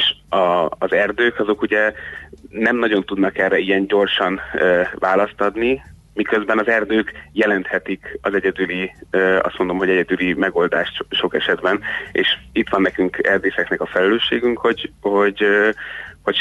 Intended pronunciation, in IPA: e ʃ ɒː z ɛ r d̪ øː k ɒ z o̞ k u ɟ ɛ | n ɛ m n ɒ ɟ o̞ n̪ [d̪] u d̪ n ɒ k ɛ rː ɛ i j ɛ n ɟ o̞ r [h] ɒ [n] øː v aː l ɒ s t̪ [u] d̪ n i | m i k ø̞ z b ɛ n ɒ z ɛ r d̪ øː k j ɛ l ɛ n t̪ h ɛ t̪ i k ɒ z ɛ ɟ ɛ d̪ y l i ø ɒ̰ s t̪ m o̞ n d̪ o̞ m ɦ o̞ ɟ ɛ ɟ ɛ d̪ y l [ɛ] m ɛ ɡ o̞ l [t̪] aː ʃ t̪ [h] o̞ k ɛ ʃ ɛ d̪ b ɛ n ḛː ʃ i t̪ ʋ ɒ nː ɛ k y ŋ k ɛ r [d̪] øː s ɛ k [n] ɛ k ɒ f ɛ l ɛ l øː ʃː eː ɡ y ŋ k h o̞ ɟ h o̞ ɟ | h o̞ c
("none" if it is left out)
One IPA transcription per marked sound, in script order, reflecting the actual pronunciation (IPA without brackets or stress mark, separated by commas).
t̪, ʃ, n, ɒ, i, d̪, ʃ, d̪, n